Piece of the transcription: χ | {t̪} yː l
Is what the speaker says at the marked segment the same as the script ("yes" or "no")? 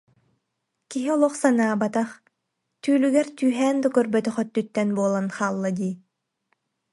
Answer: yes